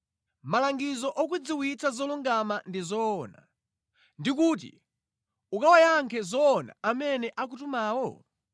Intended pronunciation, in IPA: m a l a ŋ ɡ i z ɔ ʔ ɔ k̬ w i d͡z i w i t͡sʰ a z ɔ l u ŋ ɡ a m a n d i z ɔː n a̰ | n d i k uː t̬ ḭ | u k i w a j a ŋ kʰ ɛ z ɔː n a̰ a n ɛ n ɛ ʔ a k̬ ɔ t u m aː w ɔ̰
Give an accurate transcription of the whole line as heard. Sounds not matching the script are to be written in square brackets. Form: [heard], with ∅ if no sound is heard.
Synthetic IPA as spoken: m a l a ŋ ɡ i z ɔ ʔ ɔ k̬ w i d͡z i w i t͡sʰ a z ɔ l u ŋ ɡ a m a n d i z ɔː n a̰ | n d i k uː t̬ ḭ | u k [a] w a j a ŋ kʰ ɛ z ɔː n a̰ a [m] ɛ n ɛ ʔ a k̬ [u] t u m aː w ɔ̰